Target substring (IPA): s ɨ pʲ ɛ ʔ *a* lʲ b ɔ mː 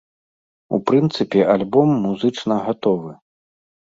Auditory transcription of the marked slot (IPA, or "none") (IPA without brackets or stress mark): a